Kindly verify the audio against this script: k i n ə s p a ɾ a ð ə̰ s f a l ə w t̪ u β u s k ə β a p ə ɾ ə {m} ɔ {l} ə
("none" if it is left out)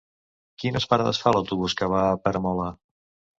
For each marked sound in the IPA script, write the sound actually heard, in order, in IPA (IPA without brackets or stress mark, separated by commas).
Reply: m, l